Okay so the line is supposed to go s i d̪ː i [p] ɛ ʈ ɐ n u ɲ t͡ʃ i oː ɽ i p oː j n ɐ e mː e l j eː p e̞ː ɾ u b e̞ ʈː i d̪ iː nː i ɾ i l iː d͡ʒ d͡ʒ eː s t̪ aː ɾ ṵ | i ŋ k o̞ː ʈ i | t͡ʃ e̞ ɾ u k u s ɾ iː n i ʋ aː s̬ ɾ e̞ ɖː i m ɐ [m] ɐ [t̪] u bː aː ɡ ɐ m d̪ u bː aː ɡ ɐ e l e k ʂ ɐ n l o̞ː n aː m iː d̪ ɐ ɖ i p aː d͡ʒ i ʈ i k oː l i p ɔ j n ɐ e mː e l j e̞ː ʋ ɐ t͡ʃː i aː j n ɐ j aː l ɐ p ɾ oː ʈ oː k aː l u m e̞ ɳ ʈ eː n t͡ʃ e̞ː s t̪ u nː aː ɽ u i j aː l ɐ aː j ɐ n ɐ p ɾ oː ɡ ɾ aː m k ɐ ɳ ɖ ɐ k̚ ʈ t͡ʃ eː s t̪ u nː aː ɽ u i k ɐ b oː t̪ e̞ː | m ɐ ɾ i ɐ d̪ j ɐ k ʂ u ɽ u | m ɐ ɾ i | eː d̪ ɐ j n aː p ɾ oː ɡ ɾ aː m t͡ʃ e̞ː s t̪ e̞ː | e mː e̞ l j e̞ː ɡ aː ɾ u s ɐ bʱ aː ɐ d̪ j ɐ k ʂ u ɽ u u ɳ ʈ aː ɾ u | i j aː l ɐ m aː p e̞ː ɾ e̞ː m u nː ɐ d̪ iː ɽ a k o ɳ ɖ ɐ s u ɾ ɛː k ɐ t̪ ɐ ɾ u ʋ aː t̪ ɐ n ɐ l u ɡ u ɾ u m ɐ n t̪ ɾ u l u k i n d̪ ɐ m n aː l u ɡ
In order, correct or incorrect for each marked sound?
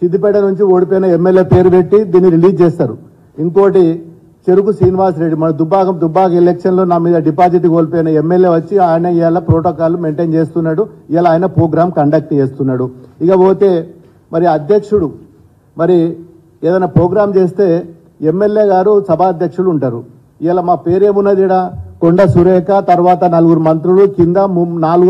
correct, incorrect: n, incorrect: d̪

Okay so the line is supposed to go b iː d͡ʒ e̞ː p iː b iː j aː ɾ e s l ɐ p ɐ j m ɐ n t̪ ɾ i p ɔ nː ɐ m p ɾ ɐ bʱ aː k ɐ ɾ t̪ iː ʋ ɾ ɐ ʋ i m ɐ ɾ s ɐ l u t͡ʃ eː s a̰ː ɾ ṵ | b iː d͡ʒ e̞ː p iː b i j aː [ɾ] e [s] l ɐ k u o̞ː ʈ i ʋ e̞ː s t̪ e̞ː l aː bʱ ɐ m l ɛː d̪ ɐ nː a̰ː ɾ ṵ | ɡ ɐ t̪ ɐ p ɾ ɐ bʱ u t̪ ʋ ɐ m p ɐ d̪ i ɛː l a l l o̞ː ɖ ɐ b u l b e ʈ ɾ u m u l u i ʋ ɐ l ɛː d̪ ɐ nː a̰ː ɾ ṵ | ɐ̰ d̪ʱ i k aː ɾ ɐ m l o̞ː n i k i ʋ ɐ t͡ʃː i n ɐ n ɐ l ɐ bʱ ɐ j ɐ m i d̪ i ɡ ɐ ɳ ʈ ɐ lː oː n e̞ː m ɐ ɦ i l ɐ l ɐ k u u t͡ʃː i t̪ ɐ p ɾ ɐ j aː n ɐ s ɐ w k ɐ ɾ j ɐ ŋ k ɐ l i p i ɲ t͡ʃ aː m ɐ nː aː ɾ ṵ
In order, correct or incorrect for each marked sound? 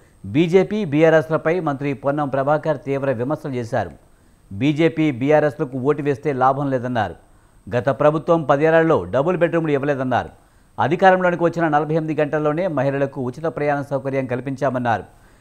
correct, correct

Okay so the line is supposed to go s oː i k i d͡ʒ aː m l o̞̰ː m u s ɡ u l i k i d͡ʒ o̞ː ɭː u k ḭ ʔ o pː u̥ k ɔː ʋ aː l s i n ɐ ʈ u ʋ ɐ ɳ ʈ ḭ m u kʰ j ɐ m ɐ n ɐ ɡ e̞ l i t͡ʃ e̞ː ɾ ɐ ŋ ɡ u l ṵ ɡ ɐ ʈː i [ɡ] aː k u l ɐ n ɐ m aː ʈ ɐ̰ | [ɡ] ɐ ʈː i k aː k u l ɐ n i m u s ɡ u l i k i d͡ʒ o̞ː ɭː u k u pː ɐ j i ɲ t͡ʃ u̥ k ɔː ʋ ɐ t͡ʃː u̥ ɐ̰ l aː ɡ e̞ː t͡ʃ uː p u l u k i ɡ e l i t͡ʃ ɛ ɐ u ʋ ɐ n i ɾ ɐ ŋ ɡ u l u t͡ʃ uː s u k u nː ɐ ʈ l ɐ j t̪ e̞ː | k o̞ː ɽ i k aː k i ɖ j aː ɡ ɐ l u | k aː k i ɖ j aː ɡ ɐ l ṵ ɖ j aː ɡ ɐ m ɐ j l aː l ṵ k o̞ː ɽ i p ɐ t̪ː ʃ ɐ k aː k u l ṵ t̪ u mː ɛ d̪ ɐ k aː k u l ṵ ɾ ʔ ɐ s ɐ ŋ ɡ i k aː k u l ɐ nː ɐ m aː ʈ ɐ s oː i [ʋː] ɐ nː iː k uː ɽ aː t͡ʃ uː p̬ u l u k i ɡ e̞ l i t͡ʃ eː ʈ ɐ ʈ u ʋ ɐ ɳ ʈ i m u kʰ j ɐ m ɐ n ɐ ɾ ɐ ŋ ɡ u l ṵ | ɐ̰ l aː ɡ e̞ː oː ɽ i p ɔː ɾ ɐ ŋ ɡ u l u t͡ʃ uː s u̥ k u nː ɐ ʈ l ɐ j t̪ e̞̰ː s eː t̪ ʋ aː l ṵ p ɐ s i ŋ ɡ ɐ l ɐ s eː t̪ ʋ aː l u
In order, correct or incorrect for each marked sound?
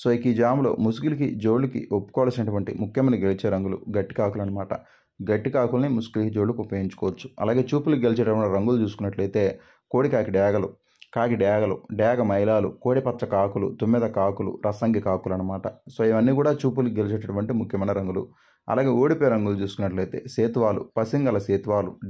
incorrect: k, correct, incorrect: ʋ

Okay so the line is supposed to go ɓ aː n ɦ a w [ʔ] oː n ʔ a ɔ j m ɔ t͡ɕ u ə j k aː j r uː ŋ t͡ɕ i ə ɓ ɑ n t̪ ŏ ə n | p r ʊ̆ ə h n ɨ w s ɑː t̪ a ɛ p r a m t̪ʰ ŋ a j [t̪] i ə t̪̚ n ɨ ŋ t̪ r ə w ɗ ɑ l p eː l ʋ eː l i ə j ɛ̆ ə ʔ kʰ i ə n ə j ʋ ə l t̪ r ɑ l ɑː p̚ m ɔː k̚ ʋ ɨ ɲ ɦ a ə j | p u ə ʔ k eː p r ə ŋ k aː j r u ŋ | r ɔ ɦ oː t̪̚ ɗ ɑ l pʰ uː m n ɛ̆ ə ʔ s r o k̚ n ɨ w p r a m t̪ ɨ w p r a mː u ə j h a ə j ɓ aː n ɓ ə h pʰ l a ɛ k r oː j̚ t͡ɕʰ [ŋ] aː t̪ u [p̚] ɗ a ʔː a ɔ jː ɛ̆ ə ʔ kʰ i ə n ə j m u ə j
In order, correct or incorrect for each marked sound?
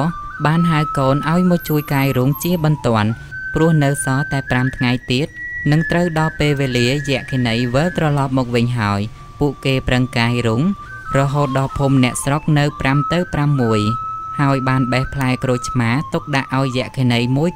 incorrect: k, correct, incorrect: m, incorrect: k̚

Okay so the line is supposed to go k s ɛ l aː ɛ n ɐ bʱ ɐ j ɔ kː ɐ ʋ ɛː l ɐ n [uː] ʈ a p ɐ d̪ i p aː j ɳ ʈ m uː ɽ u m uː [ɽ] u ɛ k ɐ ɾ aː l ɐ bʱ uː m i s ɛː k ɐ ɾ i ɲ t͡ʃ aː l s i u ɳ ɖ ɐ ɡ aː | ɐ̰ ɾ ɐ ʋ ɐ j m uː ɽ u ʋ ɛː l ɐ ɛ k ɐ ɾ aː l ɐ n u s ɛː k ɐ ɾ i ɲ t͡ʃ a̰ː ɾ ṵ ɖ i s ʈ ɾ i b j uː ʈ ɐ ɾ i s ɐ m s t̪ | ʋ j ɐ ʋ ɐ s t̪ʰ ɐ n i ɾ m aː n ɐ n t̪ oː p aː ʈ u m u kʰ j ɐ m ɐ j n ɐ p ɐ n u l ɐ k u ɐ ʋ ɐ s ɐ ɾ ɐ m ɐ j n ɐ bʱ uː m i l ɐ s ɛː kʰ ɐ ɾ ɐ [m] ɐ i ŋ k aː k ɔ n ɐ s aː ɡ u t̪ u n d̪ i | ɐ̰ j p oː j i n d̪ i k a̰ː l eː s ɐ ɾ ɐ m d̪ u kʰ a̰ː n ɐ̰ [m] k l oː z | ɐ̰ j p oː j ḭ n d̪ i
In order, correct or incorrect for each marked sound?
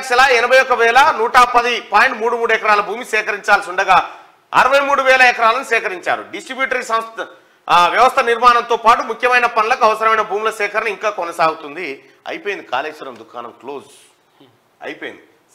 correct, correct, incorrect: n, correct

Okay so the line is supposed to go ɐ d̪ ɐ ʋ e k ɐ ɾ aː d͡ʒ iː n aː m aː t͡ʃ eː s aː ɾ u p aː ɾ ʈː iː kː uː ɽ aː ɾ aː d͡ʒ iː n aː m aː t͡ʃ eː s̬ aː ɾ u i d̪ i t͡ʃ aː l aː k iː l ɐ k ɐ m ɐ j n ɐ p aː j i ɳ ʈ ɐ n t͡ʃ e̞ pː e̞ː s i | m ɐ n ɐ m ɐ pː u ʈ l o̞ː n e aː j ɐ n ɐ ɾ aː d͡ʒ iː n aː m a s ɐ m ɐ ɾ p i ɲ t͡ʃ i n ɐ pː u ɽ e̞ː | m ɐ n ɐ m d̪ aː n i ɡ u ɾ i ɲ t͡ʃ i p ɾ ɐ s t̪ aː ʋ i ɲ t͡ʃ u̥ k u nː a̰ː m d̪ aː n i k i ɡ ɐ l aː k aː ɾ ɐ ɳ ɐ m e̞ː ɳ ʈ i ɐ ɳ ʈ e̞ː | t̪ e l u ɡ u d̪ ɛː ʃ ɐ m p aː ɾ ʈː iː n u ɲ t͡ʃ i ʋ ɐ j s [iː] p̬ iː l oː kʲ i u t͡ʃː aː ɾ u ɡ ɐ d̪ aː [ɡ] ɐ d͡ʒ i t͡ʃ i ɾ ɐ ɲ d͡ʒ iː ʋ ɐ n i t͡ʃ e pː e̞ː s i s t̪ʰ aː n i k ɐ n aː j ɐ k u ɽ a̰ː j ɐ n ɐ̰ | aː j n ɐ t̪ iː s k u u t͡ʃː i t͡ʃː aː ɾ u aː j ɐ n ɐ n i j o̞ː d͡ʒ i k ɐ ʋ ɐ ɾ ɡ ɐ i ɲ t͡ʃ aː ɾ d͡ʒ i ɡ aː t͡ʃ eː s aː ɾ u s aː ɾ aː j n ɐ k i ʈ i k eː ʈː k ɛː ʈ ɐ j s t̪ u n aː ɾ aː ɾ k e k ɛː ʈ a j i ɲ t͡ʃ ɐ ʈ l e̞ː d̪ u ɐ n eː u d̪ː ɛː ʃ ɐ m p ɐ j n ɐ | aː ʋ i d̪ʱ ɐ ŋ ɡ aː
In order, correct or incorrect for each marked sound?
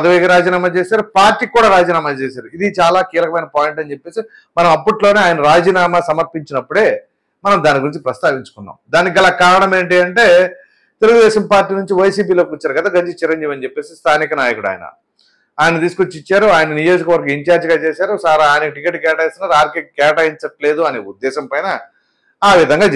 correct, correct

